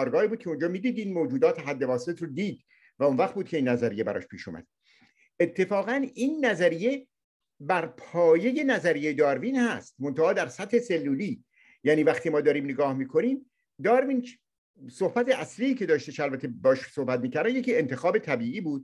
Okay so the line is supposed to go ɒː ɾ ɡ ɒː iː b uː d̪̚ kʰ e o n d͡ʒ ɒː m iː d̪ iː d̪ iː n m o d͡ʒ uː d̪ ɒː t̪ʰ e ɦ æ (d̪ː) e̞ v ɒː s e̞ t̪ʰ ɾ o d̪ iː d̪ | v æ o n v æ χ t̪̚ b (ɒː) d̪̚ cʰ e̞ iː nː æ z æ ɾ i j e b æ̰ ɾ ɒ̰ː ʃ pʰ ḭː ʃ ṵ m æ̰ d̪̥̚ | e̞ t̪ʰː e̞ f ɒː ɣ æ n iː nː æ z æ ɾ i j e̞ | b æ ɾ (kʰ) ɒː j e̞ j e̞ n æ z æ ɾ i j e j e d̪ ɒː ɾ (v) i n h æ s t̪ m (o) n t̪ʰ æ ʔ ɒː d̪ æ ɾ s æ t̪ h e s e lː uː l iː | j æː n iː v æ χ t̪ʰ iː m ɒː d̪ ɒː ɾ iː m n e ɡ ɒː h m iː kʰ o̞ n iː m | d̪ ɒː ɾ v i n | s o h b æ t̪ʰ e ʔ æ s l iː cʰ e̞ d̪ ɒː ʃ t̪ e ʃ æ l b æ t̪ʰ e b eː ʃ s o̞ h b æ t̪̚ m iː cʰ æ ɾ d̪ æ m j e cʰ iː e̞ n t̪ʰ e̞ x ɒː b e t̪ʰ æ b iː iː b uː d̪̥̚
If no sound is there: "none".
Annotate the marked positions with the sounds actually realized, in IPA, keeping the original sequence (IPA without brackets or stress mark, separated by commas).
d̪ː, uː, pʰ, v, o